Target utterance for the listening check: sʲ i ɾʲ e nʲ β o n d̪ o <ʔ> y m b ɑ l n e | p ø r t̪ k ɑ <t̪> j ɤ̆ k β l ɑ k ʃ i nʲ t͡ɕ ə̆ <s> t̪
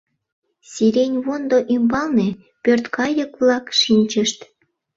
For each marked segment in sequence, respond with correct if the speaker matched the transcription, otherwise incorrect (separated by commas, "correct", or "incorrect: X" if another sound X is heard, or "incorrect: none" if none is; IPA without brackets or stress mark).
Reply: correct, incorrect: none, incorrect: ʃ